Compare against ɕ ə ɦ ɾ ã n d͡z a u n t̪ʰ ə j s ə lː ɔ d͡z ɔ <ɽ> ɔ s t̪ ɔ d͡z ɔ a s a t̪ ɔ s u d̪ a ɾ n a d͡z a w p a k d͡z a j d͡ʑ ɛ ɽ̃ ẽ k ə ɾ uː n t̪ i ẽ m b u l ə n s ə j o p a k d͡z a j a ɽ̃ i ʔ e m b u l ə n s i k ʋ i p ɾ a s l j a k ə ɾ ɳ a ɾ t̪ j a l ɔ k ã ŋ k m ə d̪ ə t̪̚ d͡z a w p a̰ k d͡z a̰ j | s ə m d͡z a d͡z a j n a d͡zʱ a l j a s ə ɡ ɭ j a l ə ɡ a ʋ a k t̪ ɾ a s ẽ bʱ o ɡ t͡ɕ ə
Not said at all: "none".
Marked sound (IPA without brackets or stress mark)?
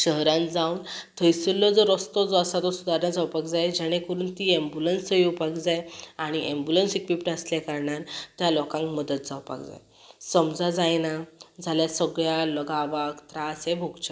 ɾ